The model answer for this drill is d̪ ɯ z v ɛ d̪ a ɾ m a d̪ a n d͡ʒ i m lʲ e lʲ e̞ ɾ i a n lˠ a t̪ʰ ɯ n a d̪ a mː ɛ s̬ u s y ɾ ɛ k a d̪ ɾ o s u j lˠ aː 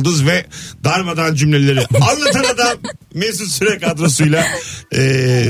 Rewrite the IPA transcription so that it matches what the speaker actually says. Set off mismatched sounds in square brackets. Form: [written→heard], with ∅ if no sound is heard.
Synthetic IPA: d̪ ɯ z v ɛ d̪ a ɾ m a d̪ a n d͡ʒ [i→y] m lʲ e lʲ e̞ ɾ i a n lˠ a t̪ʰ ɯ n a d̪ a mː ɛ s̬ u s y ɾ ɛ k a d̪ ɾ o s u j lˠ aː